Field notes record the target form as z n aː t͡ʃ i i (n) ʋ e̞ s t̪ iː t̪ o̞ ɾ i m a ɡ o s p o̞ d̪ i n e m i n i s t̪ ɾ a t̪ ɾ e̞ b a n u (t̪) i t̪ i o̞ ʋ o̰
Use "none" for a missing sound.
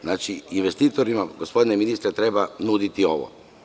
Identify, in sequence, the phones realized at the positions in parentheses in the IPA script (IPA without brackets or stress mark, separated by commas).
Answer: n, d̪